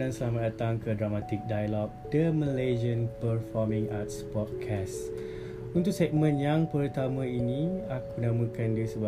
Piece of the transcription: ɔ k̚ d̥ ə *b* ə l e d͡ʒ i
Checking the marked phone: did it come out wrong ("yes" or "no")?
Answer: yes